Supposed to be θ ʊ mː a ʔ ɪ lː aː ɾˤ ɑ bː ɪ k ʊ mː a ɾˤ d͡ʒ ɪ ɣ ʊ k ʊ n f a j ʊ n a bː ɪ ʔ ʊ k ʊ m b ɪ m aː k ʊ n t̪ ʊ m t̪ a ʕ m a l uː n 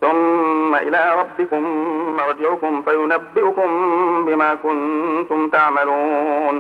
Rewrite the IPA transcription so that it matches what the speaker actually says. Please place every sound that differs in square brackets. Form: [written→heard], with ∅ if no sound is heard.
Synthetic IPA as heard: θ ʊ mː a ʔ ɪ [lː→l] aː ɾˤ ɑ bː ɪ k ʊ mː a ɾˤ d͡ʒ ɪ [ɣ→ʕ] ʊ k ʊ [n→m] f a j ʊ n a bː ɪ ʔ ʊ k ʊ m b ɪ m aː k ʊ n t̪ ʊ m t̪ a ʕ m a l uː n